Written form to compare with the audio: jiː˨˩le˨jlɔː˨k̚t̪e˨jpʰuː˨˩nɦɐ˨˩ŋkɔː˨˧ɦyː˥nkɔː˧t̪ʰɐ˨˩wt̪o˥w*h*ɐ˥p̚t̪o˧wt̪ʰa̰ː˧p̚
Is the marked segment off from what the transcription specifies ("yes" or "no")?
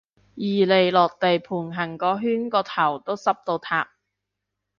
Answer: yes